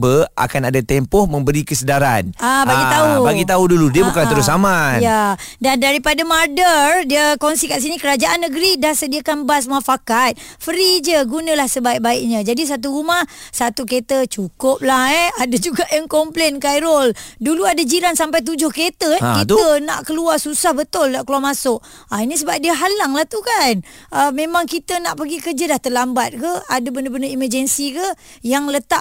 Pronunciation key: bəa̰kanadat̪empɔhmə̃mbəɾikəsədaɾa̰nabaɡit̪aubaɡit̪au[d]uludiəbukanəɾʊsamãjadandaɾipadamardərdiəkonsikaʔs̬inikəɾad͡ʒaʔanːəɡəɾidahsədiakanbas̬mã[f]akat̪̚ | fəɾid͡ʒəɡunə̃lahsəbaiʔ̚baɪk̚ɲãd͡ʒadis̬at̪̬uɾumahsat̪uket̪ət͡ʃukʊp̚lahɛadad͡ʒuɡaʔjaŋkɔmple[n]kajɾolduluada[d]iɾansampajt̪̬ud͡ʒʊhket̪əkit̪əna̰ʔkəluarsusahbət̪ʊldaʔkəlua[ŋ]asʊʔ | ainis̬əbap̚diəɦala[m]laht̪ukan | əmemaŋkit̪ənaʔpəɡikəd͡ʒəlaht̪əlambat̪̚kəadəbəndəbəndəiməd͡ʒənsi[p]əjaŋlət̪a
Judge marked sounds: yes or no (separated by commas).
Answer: yes, yes, yes, no, no, no, no